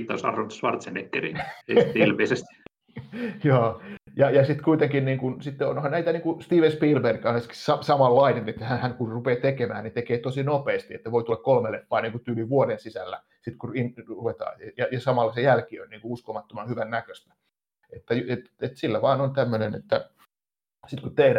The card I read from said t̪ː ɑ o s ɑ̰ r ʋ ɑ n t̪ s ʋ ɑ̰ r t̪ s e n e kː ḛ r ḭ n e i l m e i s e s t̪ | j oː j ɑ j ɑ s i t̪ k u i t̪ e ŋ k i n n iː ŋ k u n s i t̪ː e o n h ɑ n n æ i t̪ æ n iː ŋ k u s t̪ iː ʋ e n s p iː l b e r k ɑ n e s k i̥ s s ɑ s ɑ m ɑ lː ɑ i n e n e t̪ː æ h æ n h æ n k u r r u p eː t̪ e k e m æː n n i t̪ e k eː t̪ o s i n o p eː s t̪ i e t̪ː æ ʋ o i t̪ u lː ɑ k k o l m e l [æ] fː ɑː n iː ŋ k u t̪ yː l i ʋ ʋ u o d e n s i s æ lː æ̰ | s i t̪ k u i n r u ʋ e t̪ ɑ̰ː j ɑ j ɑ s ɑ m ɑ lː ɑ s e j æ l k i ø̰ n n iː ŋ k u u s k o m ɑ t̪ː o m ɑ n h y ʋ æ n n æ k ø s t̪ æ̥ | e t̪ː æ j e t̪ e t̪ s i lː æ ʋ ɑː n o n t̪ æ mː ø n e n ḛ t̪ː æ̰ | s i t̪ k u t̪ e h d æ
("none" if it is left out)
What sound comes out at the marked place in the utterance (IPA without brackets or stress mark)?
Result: e